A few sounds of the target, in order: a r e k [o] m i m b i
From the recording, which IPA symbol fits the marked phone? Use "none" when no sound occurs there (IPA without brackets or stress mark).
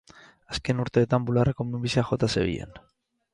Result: o